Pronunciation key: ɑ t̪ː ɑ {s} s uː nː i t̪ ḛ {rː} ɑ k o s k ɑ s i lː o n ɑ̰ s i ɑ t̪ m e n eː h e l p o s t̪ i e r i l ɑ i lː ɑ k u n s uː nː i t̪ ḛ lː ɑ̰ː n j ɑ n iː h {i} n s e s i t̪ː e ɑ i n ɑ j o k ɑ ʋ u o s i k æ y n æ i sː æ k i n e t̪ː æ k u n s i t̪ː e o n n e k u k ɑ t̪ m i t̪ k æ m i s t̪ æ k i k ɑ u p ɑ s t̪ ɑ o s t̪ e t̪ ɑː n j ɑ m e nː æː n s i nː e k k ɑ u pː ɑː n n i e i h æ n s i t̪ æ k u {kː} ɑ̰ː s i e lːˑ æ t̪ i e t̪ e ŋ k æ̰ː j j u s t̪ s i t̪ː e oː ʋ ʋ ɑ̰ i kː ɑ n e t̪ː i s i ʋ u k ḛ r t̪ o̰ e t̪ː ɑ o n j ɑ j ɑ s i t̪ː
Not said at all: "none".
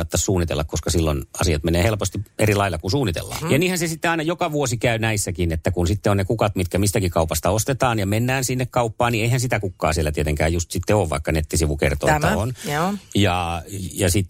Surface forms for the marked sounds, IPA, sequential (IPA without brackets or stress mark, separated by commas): s, lː, æ, kː